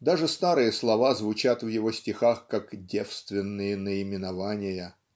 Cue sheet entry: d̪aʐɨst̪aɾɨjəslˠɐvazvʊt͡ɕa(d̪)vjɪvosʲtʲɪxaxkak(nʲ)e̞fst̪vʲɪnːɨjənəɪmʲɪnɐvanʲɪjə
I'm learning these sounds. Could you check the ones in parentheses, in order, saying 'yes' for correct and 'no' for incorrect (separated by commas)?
no, no